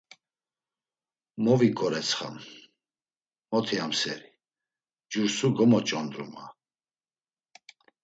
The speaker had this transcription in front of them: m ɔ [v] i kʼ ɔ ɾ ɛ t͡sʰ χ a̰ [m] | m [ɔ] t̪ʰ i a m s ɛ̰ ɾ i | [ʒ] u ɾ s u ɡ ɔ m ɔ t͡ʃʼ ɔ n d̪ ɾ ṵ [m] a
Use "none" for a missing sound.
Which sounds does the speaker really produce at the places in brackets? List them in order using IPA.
v, m, ɔ, d͡ʒ, m

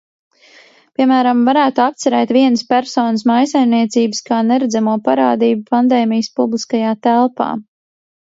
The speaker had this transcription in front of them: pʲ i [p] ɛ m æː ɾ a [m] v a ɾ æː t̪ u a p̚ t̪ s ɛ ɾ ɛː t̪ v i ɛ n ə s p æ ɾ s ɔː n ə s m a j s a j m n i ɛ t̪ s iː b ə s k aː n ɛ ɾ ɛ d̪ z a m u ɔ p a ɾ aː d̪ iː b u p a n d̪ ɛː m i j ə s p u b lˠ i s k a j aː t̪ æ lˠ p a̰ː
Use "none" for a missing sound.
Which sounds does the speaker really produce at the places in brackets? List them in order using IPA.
none, m

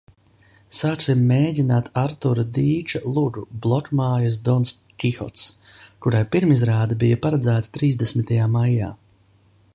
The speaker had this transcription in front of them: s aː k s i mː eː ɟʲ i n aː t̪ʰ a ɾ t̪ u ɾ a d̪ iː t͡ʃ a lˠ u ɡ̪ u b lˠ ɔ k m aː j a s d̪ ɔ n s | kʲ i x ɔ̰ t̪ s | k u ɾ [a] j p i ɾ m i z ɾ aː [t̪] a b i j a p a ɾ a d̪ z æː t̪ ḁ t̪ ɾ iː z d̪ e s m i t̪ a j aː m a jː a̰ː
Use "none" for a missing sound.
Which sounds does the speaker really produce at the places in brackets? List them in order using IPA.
a, d̪

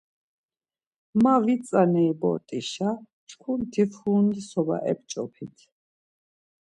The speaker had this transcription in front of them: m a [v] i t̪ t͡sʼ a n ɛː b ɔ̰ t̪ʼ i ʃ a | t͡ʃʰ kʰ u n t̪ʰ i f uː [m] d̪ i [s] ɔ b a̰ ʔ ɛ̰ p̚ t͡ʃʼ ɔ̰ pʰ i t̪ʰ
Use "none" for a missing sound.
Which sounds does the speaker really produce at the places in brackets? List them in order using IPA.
v, n, s

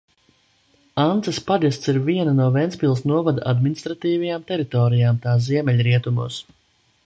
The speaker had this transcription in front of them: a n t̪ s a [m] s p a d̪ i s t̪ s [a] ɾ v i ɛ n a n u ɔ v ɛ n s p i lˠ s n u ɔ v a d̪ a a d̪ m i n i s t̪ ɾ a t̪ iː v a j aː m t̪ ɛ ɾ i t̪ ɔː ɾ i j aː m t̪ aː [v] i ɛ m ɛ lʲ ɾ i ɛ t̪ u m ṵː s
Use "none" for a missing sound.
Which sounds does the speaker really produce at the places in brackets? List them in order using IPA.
none, i, z

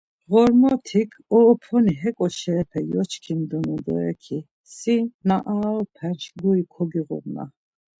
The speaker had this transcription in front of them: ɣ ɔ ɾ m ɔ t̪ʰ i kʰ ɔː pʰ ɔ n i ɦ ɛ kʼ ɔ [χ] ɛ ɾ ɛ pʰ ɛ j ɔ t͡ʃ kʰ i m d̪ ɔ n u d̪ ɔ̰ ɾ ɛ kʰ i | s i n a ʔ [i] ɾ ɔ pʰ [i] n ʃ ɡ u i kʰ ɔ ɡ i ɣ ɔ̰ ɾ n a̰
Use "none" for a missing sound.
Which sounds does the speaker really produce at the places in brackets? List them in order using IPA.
ʃ, a, ɛ

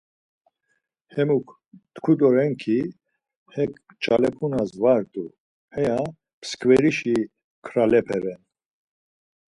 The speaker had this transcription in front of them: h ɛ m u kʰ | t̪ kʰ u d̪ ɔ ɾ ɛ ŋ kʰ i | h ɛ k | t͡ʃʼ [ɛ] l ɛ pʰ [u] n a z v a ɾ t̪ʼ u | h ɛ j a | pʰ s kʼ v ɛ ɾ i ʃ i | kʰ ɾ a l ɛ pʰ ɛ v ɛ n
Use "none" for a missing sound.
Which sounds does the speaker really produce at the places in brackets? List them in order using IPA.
a, u

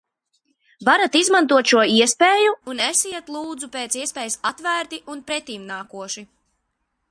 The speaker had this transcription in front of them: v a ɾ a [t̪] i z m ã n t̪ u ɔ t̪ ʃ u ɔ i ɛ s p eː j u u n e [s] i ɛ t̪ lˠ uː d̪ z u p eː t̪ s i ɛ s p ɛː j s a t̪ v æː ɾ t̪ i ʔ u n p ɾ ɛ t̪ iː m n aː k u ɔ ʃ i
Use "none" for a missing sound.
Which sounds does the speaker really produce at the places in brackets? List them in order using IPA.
t̪, s

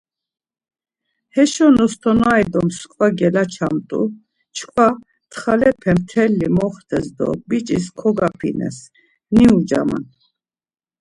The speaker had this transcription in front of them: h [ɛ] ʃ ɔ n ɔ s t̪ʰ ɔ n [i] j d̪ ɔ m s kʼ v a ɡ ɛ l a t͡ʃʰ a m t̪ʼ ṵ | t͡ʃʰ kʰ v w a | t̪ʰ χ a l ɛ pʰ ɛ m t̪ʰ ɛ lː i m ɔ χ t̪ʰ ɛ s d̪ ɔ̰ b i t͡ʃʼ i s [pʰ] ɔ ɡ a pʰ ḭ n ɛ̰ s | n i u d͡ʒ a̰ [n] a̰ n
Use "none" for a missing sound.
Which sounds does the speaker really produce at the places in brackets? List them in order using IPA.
ɛ, a, kʰ, m

